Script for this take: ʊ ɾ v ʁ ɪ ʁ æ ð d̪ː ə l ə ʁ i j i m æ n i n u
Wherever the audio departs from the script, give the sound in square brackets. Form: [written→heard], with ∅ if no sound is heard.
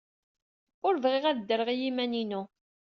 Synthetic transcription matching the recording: ʊ ɾ v ʁ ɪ ʁ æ ð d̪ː ə [l→ɾ] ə ʁ i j i m æ n i n u